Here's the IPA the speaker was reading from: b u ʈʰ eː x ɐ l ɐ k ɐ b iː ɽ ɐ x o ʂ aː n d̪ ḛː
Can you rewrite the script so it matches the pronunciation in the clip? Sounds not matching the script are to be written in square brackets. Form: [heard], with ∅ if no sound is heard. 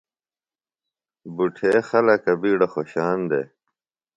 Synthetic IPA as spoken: b u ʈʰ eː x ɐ l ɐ k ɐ b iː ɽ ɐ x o [ɕ] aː n d̪ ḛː